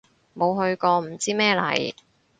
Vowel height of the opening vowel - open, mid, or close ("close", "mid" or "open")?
mid